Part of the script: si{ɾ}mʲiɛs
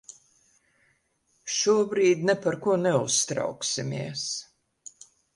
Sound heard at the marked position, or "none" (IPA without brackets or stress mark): none